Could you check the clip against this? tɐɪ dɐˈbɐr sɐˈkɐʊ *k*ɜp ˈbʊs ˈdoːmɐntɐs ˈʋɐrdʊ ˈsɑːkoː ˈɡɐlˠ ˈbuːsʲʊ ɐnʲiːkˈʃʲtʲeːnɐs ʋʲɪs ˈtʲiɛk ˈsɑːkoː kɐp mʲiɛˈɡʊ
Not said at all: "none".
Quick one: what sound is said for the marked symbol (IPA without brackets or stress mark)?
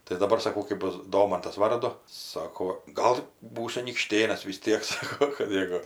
k